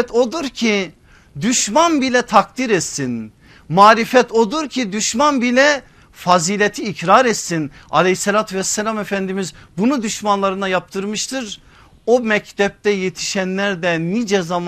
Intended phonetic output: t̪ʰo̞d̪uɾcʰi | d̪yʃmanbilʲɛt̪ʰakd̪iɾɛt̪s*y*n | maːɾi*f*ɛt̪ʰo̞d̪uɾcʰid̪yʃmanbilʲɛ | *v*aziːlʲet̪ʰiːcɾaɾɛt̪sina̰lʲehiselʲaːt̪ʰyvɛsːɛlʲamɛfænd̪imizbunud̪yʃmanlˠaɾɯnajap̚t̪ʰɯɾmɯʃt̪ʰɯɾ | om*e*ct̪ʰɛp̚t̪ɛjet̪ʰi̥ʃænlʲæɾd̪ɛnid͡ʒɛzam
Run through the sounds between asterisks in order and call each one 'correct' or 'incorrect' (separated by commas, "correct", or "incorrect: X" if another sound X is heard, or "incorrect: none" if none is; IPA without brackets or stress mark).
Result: incorrect: i, correct, incorrect: f, incorrect: ɛ